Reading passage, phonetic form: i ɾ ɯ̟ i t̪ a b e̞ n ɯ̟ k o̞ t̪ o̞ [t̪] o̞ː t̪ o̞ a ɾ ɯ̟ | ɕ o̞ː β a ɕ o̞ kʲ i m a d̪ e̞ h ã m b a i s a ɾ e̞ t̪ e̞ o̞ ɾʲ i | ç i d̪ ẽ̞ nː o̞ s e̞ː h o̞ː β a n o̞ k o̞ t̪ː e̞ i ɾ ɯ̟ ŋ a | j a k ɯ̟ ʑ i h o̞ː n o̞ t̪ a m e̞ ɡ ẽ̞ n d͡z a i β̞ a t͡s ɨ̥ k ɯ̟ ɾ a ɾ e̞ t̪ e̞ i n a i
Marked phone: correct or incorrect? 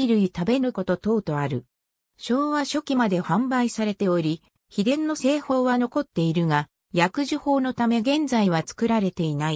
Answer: correct